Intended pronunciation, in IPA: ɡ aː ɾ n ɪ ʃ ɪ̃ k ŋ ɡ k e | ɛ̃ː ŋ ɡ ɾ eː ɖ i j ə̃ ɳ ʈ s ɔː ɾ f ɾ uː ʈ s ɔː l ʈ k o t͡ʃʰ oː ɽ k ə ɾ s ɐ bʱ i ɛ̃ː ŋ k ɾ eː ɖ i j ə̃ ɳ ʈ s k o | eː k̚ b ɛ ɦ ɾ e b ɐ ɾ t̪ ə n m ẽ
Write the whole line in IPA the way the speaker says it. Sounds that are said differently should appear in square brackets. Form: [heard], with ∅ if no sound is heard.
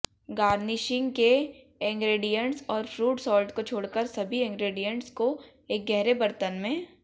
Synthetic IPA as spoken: ɡ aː ɾ n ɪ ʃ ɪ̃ [∅] ŋ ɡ k e | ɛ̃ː ŋ ɡ ɾ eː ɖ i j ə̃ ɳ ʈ s ɔː ɾ f ɾ uː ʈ s ɔː l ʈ k o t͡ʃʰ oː ɽ k ə ɾ s ɐ bʱ i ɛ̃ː ŋ [ɡ] ɾ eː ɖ i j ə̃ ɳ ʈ s k o | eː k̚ [ɡ] ɛ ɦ ɾ e b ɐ ɾ t̪ ə n m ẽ